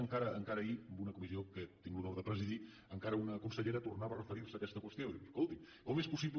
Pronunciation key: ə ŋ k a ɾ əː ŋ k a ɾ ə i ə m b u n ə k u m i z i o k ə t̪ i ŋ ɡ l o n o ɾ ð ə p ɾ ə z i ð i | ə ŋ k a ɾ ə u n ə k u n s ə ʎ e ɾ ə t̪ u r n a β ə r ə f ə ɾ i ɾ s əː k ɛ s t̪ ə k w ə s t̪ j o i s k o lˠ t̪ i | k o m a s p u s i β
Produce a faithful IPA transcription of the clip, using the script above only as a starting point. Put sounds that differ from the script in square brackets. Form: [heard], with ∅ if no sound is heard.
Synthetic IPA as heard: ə ŋ k a ɾ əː ŋ k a ɾ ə i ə m b u n ə k u m i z i o k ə t̪ i ŋ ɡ l [u] n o ɾ ð ə p ɾ ə z i ð i | ə ŋ k a ɾ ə u n ə k u n s ə ʎ e ɾ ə t̪ u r n a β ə r ə f ə ɾ i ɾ s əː k ɛ s t̪ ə k w ə s t̪ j o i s k o lˠ t̪ i | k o m [e] s p u s i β